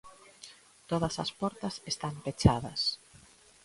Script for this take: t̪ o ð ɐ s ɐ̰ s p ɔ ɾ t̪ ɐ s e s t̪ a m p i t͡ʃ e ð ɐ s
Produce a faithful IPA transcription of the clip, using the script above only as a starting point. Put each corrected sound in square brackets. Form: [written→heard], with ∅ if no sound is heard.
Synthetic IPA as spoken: t̪ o ð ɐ s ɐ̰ s p ɔ ɾ t̪ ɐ s e s t̪ a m p [i→e] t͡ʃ [e→a] ð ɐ s

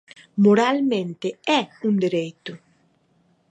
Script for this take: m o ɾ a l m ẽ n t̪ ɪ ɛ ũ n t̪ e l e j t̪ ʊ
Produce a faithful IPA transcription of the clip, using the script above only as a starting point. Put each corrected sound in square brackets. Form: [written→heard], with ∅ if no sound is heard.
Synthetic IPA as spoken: m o ɾ a l m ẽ n t̪ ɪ ɛ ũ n [t̪→d̪] e [l→ɾ] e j t̪ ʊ

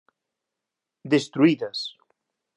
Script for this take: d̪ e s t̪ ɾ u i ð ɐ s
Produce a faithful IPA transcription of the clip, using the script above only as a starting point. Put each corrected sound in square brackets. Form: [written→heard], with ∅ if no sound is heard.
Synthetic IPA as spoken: d̪ e s t̪ ɾ u i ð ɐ s

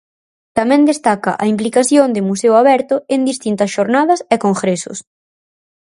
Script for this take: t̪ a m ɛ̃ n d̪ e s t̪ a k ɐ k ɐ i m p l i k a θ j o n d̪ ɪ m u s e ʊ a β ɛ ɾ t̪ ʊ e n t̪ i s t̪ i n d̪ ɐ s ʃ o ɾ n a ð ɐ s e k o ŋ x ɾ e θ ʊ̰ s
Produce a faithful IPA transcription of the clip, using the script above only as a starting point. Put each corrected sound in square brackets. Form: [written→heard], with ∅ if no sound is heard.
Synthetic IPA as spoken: t̪ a m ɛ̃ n d̪ e s t̪ a k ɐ [k→ʔ] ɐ i m p l i k a θ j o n d̪ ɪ m u s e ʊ a β ɛ ɾ t̪ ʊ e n [t̪→d̪] i s t̪ i n [d̪→t̪] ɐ s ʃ o ɾ n a ð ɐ s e k o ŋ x ɾ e [θ→s] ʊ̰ s

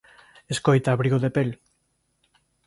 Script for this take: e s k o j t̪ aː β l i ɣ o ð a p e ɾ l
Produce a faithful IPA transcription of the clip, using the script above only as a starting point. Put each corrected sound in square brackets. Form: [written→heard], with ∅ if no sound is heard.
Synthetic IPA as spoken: e s k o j t̪ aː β [l→ɾ] i ɣ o ð [a→e] p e [ɾ→∅] l

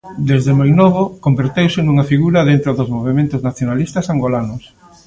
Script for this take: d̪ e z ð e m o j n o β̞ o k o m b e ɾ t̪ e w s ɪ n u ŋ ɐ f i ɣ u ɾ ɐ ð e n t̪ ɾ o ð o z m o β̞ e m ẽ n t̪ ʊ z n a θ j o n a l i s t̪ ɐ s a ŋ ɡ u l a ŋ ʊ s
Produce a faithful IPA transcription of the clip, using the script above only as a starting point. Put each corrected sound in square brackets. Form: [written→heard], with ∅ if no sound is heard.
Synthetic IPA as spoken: d̪ e z ð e m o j n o β̞ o k o m b e ɾ t̪ e w s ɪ n u ŋ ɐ f i ɣ u ɾ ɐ ð e n t̪ ɾ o ð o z m o β̞ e m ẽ n t̪ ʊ z n a θ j o n a l i s t̪ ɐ s a ŋ ɡ [u→o] l a [ŋ→n] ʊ s

